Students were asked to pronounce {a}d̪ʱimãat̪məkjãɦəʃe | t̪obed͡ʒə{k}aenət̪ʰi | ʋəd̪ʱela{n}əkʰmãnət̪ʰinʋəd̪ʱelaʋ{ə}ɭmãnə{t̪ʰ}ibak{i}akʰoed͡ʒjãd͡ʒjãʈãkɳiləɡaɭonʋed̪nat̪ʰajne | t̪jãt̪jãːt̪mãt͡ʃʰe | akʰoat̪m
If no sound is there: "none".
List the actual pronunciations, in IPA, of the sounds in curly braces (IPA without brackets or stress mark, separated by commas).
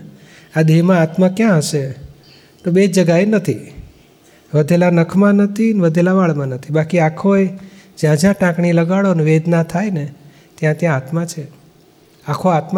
a, ɡ, n, a, t̪ʰ, i